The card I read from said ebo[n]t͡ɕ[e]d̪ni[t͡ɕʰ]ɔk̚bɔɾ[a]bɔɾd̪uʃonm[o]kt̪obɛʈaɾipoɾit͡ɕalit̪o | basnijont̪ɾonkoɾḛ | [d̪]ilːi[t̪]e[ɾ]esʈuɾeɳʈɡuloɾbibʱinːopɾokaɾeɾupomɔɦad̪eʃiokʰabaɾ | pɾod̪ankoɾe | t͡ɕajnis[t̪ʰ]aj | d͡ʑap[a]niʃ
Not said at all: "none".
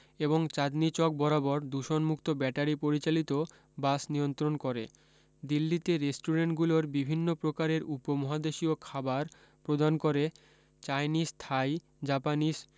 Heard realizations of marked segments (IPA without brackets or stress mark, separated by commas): ŋ, a, t͡ɕ, a, u, d̪, t̪, ɾ, t̪ʰ, a